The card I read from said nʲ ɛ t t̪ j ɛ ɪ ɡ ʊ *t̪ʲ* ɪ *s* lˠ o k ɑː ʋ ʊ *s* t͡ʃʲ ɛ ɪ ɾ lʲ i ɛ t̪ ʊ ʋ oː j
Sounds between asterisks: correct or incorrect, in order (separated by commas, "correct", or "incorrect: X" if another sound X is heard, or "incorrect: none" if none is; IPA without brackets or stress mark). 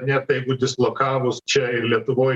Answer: incorrect: d̪ʲ, correct, correct